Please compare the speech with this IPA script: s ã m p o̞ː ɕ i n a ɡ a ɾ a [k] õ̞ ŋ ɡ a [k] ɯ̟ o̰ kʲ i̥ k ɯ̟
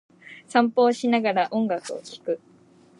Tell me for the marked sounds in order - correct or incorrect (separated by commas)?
incorrect, correct